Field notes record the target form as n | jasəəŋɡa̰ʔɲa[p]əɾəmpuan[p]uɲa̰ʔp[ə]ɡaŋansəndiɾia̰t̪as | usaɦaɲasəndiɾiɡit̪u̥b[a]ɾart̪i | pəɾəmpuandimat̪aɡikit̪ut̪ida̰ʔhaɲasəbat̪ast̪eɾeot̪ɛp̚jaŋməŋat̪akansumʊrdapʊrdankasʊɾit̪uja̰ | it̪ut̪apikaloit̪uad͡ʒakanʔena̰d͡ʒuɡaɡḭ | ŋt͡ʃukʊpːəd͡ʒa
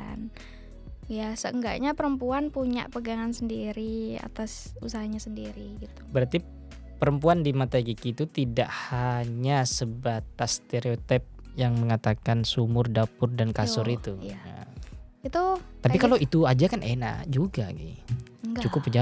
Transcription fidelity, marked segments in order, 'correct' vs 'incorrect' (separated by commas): correct, correct, correct, incorrect